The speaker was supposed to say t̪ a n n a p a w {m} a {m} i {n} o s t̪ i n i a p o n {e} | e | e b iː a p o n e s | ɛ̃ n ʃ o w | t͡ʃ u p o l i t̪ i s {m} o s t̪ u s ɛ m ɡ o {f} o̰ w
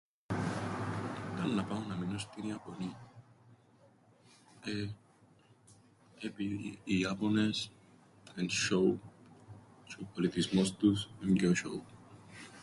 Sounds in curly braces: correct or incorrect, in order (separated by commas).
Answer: incorrect, correct, correct, incorrect, correct, incorrect